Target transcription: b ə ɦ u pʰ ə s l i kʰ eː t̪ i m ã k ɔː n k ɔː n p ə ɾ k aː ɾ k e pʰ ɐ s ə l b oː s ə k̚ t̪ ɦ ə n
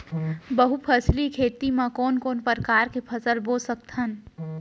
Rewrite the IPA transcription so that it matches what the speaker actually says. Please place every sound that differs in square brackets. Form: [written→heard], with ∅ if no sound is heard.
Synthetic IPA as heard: b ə ɦ u pʰ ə s l i kʰ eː t̪ i m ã k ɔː n k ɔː n p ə ɾ k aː ɾ k e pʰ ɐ s ə l b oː s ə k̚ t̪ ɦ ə n